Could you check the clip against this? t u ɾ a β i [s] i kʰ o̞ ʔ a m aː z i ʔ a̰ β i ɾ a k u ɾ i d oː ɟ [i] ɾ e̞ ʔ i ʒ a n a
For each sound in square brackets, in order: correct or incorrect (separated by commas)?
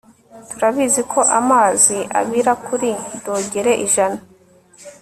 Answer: incorrect, incorrect